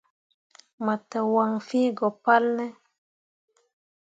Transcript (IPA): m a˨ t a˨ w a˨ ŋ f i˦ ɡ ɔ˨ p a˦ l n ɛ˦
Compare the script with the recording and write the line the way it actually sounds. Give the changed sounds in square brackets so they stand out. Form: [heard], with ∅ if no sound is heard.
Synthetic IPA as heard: m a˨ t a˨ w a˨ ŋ f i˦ ɡ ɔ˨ p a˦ l n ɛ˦